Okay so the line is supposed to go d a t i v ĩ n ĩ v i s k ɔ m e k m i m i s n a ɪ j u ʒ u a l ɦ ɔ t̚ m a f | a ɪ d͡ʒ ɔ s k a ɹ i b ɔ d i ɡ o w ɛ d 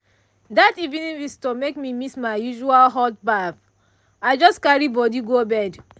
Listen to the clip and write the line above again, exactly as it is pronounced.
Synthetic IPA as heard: d a t i v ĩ n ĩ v i s t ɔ m e k m i m i s m a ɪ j u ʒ u a l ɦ ɔ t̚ b a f | a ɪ d͡ʒ ɔ s k a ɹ i b ɔ d i ɡ o b ɛ d